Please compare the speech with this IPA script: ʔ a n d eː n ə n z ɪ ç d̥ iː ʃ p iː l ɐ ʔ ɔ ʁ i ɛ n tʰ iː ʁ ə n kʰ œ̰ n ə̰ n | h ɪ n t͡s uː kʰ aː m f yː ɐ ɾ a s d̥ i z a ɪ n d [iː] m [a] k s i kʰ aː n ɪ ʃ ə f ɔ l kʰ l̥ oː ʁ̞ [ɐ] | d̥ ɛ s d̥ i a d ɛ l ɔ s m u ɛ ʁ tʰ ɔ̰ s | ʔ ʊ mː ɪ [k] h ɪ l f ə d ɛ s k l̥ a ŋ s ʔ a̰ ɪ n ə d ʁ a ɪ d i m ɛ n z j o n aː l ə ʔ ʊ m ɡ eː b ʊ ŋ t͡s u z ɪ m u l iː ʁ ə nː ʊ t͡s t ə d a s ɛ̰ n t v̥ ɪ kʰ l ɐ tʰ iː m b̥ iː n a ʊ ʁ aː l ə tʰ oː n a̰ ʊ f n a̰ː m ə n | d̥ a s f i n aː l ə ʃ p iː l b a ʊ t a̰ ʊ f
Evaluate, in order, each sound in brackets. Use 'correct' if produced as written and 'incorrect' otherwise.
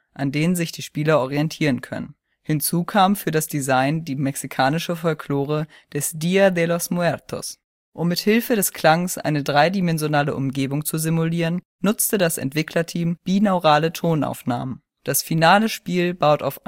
correct, incorrect: ɛ, incorrect: ə, incorrect: t

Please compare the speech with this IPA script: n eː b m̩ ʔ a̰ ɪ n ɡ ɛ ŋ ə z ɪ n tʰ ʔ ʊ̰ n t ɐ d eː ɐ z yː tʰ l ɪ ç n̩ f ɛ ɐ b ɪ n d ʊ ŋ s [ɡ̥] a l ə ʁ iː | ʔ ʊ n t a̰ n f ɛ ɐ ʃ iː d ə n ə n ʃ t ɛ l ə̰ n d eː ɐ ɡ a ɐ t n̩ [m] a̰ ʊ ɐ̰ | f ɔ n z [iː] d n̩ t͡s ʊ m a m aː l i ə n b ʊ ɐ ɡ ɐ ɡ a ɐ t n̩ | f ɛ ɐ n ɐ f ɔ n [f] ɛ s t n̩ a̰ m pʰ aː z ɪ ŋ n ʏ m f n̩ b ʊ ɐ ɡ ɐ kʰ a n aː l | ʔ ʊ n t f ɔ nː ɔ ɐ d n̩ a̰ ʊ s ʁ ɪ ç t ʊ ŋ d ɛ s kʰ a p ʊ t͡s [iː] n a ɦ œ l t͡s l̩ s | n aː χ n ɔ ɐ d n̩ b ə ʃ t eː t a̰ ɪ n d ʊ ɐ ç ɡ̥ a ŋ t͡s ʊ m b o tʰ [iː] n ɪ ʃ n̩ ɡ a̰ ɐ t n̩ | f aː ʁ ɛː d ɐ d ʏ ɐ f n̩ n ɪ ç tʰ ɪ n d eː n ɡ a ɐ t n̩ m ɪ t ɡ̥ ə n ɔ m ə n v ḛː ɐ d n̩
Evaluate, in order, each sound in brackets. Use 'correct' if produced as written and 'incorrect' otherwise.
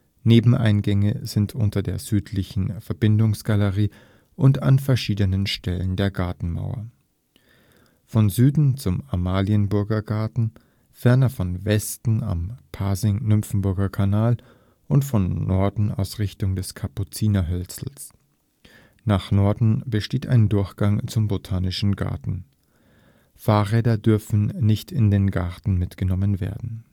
correct, correct, incorrect: yː, incorrect: v, correct, incorrect: aː

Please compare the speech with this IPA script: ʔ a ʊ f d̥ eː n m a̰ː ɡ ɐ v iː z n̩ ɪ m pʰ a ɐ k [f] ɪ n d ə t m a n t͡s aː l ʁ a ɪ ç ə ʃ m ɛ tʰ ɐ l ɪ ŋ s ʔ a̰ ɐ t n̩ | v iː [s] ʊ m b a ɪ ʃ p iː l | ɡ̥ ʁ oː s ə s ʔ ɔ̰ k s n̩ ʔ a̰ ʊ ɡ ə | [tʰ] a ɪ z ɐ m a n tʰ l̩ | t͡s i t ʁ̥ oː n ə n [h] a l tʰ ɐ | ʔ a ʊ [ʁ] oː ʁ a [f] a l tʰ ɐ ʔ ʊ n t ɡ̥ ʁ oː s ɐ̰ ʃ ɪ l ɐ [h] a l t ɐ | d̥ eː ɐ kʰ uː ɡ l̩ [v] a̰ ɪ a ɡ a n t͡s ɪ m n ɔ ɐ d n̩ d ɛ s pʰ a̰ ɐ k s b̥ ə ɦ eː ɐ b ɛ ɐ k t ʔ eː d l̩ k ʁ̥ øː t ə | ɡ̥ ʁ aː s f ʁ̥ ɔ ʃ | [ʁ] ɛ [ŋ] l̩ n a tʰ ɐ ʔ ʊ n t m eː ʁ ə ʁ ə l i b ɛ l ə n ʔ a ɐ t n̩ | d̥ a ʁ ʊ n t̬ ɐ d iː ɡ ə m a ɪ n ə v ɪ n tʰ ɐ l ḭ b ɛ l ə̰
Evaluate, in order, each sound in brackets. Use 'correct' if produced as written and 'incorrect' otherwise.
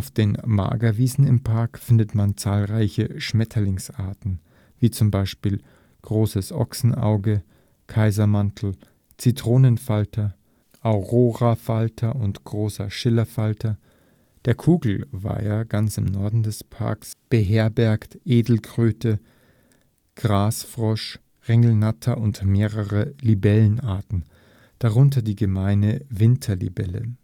correct, incorrect: t͡s, incorrect: kʰ, incorrect: f, correct, correct, incorrect: f, correct, correct, correct

